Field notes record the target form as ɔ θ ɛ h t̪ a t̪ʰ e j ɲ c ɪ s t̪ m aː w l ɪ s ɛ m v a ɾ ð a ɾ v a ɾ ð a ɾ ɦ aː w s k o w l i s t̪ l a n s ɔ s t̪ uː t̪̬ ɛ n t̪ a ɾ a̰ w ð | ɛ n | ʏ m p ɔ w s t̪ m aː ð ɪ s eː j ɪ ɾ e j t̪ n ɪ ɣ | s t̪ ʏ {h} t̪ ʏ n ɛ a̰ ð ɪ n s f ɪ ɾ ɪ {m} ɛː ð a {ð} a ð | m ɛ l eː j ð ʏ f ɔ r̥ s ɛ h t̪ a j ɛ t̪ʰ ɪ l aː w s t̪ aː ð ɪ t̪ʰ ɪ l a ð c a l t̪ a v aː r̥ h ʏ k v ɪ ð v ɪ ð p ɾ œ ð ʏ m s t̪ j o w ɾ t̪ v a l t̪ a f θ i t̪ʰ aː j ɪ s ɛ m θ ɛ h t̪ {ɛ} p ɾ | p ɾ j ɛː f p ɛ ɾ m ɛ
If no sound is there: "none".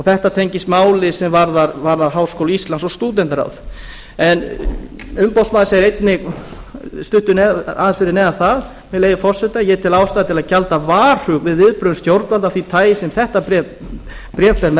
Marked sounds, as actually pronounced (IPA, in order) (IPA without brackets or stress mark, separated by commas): h, n, θ, a